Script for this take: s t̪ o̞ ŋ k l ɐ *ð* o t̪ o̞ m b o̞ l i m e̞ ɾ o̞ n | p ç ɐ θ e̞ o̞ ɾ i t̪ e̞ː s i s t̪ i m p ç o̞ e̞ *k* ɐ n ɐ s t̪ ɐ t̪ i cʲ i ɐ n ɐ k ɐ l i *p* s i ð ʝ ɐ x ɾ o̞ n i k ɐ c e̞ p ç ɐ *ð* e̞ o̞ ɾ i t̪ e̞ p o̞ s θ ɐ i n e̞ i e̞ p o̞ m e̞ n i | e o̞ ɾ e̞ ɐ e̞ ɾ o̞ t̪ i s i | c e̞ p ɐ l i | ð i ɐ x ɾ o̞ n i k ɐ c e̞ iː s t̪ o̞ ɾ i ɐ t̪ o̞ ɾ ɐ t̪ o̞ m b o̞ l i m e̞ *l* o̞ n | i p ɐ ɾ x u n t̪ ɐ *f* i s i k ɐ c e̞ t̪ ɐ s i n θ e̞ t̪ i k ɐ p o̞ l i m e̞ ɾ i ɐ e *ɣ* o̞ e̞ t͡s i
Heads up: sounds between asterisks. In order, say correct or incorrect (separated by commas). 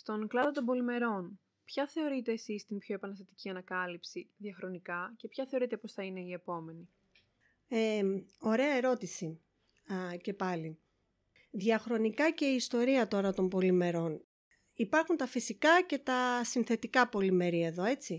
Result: correct, incorrect, correct, incorrect, incorrect, correct, incorrect